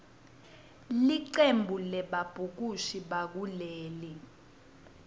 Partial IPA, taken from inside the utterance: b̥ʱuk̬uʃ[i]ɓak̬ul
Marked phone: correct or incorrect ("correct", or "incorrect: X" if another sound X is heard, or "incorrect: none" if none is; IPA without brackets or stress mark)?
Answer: correct